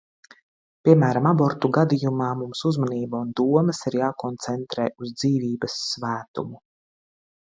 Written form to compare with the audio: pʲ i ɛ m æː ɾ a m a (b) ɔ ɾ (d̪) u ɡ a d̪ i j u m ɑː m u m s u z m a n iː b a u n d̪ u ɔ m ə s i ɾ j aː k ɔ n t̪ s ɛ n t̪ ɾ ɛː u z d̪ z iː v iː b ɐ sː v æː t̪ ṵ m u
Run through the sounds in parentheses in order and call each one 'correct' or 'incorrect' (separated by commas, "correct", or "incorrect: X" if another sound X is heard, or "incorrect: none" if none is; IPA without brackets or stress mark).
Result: correct, incorrect: t̪